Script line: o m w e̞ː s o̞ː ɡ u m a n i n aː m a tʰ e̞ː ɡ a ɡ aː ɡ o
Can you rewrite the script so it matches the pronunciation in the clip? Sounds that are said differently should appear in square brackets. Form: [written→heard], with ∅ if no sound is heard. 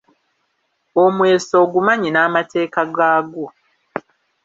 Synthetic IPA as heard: o m w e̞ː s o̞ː ɡ u m a [n→ɲ] i n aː m a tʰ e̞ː [ɡ→k] a ɡ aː ɡ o